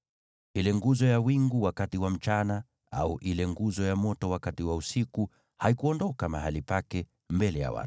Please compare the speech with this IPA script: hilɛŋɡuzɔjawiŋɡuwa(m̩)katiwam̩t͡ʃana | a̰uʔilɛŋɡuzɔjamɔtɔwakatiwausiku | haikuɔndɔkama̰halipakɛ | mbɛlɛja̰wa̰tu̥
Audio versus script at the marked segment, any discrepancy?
yes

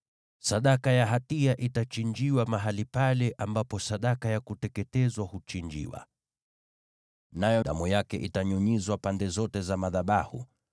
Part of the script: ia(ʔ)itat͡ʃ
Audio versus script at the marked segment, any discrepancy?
no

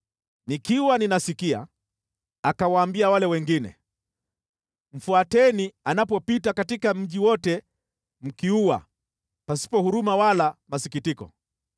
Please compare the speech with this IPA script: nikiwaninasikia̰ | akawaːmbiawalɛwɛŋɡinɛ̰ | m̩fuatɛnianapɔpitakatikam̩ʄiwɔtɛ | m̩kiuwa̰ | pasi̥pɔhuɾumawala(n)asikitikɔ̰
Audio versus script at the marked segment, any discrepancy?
yes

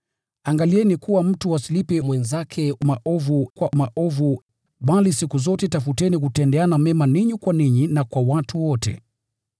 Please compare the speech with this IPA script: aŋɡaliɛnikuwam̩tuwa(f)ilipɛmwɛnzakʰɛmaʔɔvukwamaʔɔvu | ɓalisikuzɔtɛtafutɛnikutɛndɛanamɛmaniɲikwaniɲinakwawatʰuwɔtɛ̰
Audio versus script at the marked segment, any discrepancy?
yes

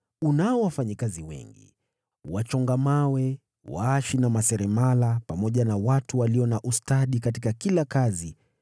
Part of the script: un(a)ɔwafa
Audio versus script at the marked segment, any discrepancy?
no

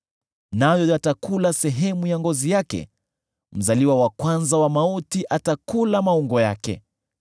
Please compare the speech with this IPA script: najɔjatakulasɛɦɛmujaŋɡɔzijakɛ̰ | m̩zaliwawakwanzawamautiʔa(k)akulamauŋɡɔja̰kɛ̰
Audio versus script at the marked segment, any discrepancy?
yes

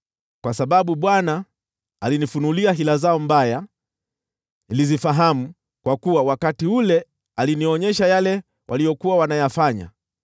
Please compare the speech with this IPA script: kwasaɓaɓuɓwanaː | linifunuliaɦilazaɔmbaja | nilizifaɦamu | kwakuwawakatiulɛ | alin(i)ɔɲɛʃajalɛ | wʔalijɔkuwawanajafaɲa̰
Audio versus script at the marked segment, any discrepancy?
no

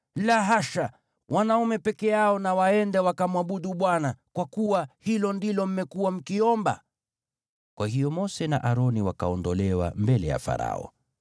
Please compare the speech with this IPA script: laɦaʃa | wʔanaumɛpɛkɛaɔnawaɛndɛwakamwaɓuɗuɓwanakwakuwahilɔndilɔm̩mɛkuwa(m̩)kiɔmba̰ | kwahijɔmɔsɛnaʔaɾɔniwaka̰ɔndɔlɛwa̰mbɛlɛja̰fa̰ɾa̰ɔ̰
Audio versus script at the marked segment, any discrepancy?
no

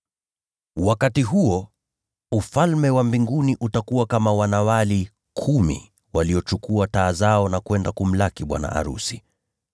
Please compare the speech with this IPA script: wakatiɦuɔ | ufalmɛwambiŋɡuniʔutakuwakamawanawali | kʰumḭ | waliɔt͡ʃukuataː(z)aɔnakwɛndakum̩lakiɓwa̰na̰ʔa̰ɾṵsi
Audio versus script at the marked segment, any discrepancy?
no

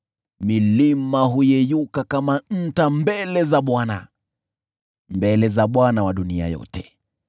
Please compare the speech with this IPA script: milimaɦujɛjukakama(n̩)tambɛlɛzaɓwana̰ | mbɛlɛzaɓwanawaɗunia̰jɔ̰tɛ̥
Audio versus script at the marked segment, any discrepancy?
no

